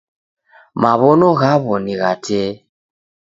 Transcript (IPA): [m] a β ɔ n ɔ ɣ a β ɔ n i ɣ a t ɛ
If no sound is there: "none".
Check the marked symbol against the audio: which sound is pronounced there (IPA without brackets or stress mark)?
m